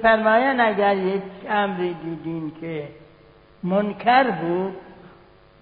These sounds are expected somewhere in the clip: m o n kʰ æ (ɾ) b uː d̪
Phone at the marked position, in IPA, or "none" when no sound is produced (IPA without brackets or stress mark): ɾ